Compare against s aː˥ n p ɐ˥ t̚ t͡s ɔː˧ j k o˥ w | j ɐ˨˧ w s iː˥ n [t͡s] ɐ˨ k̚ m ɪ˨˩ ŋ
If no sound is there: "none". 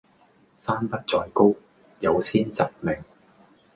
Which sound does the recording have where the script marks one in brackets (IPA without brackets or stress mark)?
t͡s